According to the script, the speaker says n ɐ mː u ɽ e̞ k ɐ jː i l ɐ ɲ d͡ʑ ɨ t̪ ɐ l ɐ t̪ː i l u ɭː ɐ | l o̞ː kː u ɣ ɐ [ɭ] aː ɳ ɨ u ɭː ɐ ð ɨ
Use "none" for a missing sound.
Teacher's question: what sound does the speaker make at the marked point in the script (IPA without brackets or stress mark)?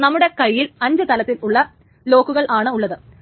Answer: ɭ